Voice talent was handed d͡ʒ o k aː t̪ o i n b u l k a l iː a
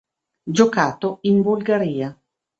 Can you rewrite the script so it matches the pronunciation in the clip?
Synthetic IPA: d͡ʒ o k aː t̪ o i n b u l ɡ a ɾ iː a